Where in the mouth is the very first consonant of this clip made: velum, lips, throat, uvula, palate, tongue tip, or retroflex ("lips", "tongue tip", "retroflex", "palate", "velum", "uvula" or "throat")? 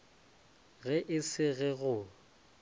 velum